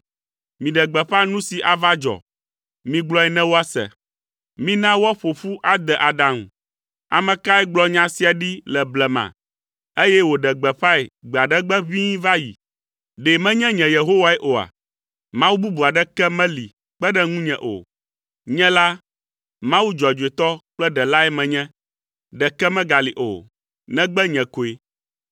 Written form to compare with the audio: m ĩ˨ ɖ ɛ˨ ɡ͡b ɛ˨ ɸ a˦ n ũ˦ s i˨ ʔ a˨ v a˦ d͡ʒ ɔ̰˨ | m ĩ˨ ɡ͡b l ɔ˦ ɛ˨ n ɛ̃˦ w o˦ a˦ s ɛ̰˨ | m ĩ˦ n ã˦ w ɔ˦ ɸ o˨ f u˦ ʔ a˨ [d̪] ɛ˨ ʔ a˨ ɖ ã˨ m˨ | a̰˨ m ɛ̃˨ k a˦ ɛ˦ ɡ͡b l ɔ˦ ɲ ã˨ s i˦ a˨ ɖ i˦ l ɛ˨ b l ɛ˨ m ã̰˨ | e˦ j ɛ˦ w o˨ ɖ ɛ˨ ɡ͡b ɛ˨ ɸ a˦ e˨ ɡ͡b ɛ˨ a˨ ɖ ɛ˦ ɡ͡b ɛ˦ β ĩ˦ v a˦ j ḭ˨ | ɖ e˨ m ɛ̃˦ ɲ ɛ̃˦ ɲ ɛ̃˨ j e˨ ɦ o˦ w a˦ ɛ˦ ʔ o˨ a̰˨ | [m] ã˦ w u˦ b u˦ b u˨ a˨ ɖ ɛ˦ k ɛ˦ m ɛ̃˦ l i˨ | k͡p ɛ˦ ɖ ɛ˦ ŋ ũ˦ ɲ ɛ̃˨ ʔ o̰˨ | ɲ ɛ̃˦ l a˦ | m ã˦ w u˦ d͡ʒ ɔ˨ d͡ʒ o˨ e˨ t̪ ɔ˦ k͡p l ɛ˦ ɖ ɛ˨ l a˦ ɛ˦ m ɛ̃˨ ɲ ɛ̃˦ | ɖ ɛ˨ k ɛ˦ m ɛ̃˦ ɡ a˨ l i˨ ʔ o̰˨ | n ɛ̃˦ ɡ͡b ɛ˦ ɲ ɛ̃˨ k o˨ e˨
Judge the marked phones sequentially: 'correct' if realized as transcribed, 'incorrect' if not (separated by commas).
correct, correct